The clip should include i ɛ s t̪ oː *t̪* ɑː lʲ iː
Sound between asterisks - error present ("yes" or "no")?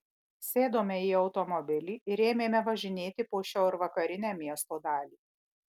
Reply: yes